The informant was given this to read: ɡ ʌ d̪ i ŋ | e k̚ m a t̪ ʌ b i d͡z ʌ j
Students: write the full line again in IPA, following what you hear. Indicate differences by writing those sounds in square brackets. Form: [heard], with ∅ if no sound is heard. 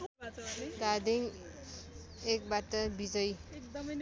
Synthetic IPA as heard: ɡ [a] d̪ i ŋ | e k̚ [b] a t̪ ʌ b i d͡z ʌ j